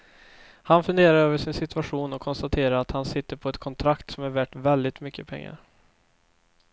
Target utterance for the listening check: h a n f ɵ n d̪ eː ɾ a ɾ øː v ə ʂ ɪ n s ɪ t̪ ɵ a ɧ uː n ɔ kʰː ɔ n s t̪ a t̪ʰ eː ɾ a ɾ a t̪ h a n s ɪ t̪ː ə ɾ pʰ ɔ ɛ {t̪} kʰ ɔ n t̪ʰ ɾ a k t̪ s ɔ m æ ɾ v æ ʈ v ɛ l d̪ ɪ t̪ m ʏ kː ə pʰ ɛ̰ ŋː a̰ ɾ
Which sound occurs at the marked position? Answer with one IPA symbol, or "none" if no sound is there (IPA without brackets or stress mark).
t̪